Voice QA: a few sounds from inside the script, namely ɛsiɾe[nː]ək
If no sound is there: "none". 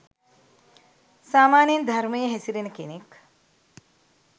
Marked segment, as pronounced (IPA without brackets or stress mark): n